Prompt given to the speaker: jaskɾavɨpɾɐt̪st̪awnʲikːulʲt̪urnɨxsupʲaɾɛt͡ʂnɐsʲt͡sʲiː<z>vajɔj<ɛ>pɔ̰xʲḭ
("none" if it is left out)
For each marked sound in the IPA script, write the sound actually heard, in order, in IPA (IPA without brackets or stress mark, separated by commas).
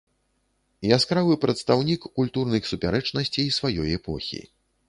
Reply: s, ɛ